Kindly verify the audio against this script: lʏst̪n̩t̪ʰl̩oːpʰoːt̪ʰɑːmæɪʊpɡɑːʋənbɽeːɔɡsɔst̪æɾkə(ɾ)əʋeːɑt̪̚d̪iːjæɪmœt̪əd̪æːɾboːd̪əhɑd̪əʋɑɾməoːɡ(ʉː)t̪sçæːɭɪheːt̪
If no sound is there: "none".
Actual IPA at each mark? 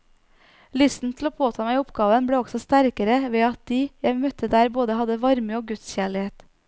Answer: ɾ, ʉ

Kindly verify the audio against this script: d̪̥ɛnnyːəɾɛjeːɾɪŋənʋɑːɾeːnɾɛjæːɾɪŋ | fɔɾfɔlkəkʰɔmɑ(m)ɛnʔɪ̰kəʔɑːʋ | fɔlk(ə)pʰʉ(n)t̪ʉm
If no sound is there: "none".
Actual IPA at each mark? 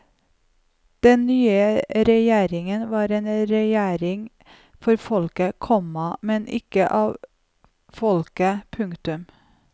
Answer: m, ə, ŋ

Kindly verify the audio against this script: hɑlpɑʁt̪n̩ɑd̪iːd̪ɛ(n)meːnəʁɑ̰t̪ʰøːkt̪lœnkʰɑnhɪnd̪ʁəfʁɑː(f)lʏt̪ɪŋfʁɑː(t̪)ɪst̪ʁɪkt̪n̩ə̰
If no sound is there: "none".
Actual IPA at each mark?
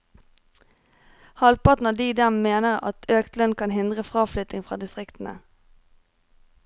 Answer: m, f, d̪

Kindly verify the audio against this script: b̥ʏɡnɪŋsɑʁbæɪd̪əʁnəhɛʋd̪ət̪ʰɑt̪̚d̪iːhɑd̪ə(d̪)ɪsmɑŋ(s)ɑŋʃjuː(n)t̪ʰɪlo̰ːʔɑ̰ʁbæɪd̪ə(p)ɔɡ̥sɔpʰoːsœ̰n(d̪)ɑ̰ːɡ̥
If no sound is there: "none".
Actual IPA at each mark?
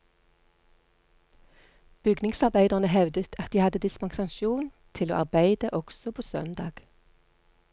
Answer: d̪, s, n, ʔ, d̪

